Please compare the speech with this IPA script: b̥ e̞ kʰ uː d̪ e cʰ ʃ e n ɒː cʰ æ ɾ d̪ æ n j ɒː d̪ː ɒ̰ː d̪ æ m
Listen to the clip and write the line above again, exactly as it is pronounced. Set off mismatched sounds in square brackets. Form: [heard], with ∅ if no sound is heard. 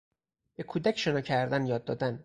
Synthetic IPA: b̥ e̞ kʰ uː d̪ [æ] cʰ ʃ e n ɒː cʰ æ ɾ d̪ æ n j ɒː d̪ː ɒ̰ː d̪ æ [n]